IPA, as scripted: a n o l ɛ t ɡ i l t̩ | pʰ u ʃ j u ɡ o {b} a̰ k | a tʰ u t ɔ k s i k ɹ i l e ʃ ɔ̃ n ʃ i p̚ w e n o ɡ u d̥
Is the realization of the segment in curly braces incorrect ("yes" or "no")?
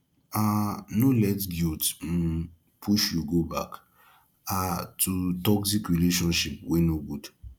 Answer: no